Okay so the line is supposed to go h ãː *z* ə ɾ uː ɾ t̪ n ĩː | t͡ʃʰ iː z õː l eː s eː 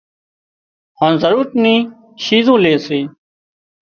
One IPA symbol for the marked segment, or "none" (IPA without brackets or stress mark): z